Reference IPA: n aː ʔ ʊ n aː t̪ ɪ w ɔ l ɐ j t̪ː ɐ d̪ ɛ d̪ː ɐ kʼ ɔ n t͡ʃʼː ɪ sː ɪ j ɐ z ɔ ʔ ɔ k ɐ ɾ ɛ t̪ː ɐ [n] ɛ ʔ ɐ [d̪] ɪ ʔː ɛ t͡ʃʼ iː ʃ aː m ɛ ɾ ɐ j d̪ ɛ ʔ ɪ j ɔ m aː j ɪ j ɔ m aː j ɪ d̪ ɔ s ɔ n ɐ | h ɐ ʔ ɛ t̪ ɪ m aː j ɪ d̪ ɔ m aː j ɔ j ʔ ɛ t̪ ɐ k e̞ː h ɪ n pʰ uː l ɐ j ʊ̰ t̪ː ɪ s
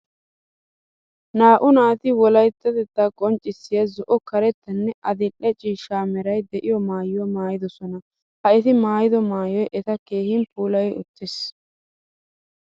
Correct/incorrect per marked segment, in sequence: incorrect: nː, correct

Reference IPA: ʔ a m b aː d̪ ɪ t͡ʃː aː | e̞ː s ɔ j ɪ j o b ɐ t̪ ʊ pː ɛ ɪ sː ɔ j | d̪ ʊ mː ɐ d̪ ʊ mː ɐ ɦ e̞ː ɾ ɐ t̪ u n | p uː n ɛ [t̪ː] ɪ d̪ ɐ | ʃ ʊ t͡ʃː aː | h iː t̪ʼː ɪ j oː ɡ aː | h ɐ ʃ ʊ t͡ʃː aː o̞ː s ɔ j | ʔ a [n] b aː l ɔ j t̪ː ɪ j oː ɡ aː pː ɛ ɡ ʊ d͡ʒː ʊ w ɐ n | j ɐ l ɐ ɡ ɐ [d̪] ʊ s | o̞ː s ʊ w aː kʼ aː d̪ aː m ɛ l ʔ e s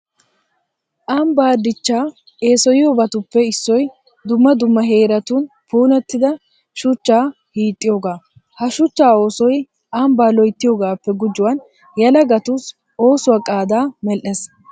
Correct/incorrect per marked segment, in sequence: correct, incorrect: m, incorrect: t̪

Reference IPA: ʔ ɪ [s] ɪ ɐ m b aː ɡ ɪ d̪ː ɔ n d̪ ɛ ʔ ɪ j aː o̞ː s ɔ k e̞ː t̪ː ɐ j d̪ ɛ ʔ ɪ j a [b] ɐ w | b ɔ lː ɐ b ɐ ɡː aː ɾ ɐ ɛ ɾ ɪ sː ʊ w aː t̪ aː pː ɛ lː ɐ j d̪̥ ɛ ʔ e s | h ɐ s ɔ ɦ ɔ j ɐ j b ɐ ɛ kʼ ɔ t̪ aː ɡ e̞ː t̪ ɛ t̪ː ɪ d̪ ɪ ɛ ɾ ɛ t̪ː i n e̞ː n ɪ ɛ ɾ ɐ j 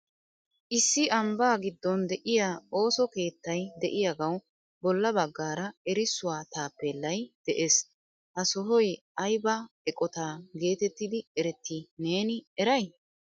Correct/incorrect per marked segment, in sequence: incorrect: sː, incorrect: ɡ

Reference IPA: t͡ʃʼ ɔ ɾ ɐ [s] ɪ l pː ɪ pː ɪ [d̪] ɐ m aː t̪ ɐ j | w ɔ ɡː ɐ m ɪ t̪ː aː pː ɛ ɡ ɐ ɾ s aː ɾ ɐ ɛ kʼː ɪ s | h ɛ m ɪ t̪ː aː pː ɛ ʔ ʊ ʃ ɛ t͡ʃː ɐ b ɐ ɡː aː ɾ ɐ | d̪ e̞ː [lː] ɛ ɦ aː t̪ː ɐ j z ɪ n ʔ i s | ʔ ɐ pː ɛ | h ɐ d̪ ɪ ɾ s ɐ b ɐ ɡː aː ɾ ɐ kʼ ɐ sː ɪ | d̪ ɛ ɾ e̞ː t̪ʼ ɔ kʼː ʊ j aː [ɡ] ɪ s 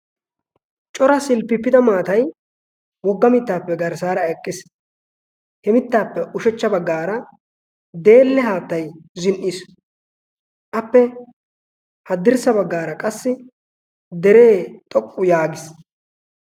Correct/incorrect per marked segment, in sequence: correct, correct, correct, correct

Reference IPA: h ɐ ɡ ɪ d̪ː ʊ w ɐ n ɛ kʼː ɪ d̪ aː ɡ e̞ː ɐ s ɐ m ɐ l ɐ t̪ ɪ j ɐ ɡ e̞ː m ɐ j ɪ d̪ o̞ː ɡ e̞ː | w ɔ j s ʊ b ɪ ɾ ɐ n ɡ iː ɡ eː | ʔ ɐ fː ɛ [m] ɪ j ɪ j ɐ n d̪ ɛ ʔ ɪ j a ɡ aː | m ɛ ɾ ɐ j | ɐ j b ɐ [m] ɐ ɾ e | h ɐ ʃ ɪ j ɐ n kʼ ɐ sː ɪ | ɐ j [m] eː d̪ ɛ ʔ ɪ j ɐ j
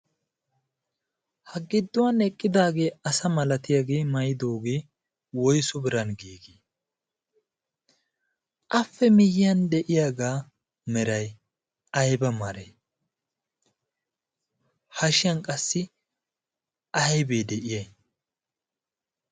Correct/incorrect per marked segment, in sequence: correct, correct, incorrect: b

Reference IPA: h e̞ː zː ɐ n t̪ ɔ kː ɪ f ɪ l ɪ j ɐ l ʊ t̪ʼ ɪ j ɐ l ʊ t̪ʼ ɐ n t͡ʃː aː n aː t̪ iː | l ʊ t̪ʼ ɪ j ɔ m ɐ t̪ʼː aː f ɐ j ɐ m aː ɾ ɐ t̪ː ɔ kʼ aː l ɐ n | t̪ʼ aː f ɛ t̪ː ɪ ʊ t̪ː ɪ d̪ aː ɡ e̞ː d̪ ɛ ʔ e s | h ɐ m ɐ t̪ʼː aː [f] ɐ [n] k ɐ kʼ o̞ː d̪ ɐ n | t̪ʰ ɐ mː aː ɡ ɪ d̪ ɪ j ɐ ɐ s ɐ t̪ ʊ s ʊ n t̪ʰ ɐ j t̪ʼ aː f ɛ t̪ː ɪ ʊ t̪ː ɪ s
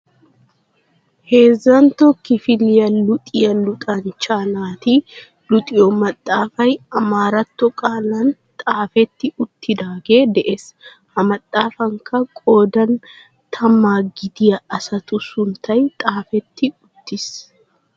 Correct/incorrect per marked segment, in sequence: correct, incorrect: ŋ

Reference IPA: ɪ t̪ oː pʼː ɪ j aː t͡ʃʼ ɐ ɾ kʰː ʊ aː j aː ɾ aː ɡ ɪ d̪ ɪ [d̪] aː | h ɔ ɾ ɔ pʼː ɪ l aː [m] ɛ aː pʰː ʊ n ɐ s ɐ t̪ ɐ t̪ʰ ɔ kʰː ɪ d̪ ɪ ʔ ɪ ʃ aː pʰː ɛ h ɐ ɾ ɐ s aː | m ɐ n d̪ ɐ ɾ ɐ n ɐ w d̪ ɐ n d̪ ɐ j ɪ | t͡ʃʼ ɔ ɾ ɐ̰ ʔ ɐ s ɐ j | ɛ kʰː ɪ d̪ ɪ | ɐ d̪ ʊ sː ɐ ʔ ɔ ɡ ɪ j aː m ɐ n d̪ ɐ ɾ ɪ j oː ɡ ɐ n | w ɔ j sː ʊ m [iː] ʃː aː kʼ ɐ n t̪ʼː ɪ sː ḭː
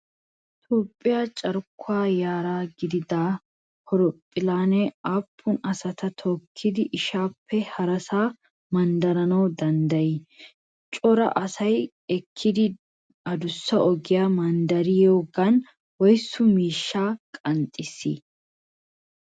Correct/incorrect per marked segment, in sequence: correct, incorrect: n, correct

